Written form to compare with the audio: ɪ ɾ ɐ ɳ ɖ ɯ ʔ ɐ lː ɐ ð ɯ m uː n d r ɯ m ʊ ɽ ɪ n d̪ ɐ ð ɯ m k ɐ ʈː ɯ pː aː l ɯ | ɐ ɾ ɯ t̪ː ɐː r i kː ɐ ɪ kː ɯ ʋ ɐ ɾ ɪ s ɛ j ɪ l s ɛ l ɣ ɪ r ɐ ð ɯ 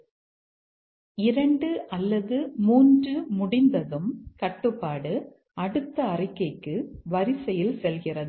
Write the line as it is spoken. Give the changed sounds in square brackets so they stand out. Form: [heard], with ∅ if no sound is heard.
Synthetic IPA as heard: ɪ ɾ ɐ ɳ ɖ ɯ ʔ ɐ lː ɐ ð ɯ m uː n d r ɯ m ʊ ɽ ɪ n d̪ ɐ ð ɯ m k ɐ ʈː ɯ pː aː [ɽ] ɯ | ɐ [ɽ] ɯ t̪ː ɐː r [ɪ] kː ɐ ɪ kː ɯ ʋ ɐ ɾ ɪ s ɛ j ɪ l s ɛ l ɣ ɪ r ɐ ð ɯ